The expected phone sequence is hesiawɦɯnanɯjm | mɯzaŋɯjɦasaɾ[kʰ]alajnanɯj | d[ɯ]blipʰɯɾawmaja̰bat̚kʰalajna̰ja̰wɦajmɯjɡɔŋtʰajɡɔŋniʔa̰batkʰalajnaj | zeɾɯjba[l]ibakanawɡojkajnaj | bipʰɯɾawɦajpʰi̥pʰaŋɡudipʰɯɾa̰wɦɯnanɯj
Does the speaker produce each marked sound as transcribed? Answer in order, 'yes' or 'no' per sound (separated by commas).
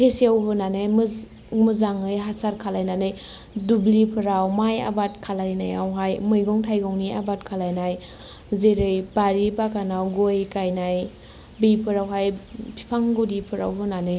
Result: yes, no, no